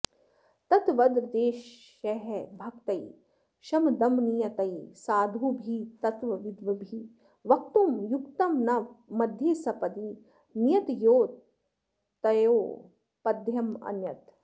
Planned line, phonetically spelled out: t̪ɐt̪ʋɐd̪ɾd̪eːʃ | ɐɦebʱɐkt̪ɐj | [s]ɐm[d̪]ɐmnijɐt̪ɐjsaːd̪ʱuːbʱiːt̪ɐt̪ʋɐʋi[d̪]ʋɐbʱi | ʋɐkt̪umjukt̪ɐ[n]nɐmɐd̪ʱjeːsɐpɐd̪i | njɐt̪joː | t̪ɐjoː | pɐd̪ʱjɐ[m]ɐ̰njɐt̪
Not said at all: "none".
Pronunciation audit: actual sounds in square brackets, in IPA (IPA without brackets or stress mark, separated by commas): ʃ, d̪, d̪, m, m